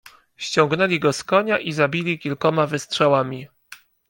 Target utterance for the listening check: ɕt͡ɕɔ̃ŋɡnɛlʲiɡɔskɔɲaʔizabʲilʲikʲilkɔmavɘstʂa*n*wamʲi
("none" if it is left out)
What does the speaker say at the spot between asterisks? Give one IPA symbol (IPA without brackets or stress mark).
none